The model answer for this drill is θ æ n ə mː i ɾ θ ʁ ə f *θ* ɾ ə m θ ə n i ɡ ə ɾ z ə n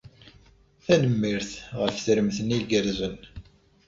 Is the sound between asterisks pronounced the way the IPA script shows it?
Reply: yes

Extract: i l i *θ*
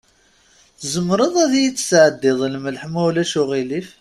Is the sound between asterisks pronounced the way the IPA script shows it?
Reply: no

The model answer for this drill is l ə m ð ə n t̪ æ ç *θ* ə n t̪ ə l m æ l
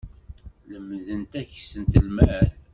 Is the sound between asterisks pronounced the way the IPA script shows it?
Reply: no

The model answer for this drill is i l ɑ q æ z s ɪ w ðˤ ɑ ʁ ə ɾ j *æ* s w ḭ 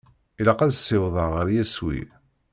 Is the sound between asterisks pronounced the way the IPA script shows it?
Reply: yes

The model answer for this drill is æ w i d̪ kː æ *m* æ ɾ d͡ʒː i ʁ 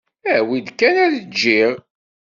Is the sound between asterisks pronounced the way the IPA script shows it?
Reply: no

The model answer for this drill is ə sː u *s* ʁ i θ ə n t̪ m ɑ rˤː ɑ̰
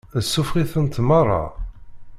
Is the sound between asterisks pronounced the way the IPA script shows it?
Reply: no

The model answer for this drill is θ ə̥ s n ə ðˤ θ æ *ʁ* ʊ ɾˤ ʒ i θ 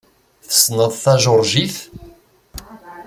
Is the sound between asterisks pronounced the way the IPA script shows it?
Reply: no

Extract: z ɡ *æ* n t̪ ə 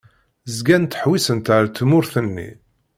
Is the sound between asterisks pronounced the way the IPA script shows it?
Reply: yes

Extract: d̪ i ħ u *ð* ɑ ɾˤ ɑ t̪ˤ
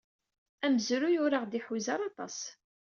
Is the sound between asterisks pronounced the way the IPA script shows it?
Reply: no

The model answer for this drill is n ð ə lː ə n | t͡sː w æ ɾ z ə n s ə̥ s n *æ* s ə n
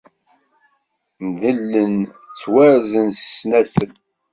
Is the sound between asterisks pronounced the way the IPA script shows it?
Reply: yes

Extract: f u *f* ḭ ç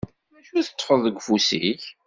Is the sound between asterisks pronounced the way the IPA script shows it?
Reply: no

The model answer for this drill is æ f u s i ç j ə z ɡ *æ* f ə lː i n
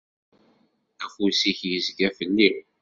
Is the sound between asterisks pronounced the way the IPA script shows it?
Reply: yes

